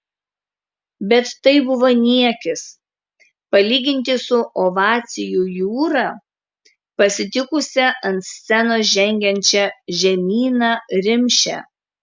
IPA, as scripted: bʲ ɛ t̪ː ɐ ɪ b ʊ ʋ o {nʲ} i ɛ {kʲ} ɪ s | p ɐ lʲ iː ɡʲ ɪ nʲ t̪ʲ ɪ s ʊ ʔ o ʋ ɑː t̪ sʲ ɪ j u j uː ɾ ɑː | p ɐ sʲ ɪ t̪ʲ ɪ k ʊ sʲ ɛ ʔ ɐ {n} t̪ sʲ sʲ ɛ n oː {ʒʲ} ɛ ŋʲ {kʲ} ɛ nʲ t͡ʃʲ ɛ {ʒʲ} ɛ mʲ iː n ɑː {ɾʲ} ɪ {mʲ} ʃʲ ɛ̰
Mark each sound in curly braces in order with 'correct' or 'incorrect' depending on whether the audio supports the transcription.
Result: correct, correct, correct, correct, incorrect, correct, correct, correct

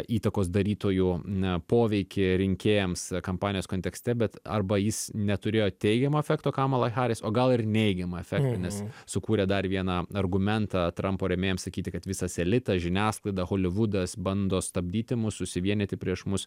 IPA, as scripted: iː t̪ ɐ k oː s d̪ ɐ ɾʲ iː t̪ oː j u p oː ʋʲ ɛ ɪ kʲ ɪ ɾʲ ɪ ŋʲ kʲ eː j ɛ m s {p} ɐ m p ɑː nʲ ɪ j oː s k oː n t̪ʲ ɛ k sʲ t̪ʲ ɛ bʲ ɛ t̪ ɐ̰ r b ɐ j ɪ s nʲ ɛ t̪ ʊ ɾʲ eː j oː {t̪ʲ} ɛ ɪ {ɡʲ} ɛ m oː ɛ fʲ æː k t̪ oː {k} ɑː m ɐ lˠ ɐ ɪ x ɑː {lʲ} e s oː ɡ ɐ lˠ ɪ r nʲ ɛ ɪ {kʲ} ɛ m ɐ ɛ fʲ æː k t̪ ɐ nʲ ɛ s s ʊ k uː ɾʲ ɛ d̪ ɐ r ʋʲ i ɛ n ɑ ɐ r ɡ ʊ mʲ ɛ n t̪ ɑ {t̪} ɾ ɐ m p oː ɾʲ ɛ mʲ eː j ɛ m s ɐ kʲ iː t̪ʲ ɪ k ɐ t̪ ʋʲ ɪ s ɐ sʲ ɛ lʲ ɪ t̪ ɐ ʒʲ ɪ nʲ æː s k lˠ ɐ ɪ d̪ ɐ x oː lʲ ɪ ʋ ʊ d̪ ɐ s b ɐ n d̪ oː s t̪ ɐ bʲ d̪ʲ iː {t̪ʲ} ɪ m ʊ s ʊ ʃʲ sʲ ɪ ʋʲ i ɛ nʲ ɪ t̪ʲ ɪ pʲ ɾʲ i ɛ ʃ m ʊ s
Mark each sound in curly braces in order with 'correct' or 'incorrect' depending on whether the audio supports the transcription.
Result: incorrect, correct, correct, correct, incorrect, incorrect, correct, correct

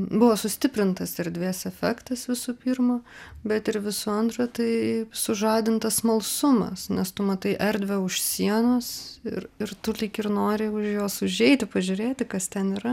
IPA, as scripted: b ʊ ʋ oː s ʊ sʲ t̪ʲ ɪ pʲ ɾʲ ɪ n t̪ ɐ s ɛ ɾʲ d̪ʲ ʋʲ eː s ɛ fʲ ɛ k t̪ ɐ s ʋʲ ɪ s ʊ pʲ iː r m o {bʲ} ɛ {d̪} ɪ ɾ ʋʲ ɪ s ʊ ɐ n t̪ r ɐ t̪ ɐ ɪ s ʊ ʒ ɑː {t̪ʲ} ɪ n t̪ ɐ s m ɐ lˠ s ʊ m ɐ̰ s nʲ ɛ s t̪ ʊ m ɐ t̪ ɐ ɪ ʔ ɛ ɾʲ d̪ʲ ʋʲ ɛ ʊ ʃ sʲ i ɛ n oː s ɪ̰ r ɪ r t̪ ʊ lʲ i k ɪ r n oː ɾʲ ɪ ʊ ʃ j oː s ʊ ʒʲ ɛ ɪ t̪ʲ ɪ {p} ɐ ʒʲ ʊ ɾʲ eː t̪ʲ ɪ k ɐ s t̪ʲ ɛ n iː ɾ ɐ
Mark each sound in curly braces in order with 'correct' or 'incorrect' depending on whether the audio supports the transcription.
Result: correct, incorrect, incorrect, correct

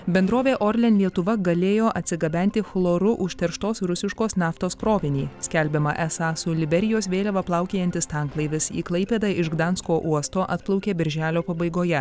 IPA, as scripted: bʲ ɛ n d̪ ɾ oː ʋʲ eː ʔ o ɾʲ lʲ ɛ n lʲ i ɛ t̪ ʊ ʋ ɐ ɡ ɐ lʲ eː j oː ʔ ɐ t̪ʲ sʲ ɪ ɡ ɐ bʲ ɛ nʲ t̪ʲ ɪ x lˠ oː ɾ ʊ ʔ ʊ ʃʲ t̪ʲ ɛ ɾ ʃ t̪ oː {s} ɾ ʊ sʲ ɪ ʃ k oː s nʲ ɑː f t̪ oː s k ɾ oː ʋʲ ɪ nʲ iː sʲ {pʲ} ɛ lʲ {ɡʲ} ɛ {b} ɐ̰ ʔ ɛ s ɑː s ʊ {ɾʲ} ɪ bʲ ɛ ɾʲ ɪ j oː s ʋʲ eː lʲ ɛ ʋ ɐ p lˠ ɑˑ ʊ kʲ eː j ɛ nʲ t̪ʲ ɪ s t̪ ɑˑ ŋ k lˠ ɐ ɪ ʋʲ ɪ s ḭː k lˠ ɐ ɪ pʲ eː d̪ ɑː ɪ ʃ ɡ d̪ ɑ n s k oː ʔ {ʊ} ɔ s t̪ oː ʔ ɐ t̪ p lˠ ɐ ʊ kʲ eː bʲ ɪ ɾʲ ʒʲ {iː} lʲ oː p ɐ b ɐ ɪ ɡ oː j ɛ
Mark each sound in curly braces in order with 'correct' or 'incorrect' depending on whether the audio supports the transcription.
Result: correct, incorrect, incorrect, incorrect, incorrect, incorrect, incorrect

